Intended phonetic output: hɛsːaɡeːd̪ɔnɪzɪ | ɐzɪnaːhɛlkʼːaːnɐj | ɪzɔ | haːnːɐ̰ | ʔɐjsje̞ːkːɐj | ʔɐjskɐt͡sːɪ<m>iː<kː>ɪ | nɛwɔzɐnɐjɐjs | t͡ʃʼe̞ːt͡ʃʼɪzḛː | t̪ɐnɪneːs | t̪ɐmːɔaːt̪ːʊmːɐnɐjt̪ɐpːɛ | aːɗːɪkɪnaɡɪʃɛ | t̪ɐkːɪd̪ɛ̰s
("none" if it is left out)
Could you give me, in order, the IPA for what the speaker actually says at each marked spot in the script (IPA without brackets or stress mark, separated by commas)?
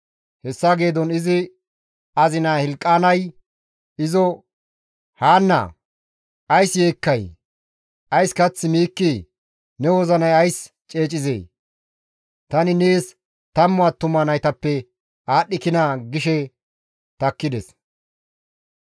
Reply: m, kː